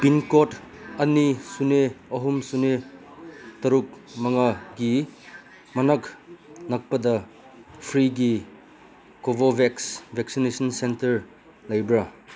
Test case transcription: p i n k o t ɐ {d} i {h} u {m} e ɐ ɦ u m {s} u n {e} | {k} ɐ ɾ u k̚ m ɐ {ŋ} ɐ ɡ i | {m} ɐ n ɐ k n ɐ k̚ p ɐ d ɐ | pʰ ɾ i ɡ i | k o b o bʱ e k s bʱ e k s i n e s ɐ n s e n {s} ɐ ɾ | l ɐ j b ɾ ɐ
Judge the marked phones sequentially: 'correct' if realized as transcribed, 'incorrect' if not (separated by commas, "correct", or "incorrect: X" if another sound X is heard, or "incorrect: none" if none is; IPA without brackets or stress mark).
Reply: incorrect: n, incorrect: s, incorrect: n, correct, correct, incorrect: t, correct, correct, incorrect: t